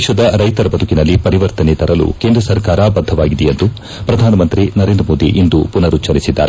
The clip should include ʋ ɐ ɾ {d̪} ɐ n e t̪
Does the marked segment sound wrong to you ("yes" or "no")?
yes